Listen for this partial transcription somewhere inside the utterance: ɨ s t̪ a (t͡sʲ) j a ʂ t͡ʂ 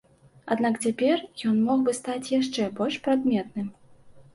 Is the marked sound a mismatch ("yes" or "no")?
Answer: no